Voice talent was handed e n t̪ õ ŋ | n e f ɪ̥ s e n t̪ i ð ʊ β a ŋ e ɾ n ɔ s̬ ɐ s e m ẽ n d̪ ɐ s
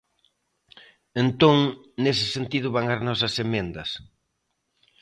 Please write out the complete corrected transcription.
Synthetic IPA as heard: e n t̪ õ ŋ | n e s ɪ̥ s e n t̪ i ð ʊ β a ŋ a ɾ n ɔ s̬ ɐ s e m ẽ n d̪ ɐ s